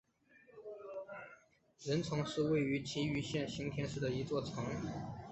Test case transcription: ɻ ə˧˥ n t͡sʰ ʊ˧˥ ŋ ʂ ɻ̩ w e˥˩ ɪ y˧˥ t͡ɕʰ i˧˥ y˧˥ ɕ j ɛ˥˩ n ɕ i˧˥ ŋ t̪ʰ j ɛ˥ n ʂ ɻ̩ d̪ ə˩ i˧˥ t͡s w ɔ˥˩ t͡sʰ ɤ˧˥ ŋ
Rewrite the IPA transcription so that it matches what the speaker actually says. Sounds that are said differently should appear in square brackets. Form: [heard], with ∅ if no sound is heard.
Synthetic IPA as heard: ɻ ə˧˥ n t͡sʰ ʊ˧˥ ŋ ʂ ɻ̩ w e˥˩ ɪ y˧˥ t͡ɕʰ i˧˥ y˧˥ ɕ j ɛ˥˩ n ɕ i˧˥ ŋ t̪ʰ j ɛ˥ n ʂ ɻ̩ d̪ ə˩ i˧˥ t͡s w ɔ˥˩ t͡sʰ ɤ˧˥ ŋ